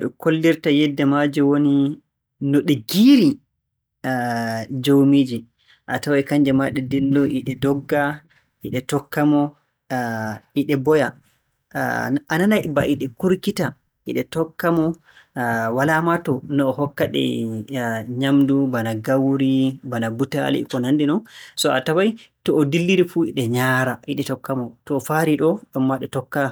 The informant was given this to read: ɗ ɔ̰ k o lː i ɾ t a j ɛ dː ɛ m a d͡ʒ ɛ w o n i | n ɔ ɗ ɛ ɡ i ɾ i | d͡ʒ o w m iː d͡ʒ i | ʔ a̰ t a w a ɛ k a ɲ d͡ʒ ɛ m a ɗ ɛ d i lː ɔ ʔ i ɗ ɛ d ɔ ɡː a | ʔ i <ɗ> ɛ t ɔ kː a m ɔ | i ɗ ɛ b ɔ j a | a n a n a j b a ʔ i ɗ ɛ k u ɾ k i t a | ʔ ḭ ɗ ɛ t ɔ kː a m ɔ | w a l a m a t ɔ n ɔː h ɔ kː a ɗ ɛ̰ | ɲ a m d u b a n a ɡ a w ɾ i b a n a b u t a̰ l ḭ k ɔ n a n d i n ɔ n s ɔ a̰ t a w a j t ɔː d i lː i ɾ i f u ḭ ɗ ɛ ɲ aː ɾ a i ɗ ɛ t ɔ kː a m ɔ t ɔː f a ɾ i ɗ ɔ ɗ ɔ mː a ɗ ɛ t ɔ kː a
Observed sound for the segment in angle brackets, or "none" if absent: ɗ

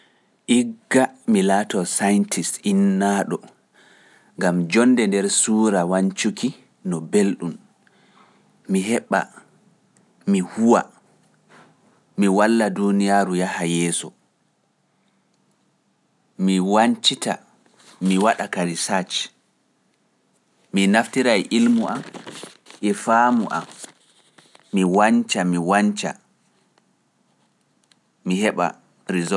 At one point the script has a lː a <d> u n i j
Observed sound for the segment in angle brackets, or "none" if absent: d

